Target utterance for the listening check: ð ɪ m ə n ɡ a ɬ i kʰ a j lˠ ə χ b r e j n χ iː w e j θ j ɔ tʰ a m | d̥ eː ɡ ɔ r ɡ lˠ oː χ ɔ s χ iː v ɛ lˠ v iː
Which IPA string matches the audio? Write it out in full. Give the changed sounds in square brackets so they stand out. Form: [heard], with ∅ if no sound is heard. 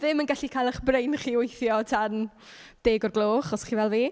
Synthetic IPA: ð ɪ m ə n ɡ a ɬ i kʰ a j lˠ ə χ b r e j n χ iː w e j θ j ɔ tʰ a [n] | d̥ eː ɡ ɔ r ɡ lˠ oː χ ɔ s χ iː v ɛ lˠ v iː